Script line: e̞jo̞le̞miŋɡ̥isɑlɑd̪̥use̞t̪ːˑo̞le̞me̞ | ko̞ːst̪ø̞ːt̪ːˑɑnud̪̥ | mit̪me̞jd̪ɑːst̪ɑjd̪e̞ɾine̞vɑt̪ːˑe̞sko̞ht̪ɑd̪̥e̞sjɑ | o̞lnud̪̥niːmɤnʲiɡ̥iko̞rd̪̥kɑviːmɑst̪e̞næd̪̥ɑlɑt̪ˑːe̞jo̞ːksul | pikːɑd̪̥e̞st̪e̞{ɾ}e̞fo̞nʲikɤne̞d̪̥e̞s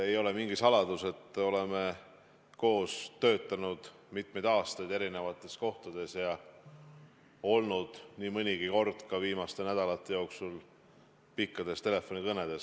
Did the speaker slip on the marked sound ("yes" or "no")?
yes